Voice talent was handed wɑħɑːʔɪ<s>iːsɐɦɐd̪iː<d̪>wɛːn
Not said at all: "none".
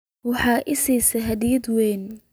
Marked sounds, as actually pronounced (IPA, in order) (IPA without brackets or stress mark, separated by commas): s, d̪